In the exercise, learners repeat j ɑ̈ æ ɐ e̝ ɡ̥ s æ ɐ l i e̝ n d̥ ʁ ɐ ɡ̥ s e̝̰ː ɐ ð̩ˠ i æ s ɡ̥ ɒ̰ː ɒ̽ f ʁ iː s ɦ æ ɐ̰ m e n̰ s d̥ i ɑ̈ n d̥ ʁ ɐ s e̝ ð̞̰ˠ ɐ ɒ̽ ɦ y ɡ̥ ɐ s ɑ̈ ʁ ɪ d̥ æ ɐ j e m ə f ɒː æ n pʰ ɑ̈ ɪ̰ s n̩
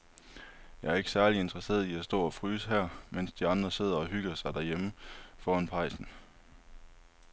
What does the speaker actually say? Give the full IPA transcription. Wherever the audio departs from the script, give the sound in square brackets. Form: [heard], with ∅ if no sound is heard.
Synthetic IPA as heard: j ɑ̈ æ ɐ e̝ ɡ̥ s æ ɐ l i e̝ n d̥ ʁ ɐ [∅] s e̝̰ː ɐ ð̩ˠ i æ s [d̥] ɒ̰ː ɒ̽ f ʁ [yː] s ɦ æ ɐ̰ m e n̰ s d̥ i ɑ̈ n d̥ ʁ ɐ s e̝ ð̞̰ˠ ɐ ɒ̽ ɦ y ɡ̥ ɐ s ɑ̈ [∅] ɪ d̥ æ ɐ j e m ə f ɒː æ n pʰ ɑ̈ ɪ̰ s n̩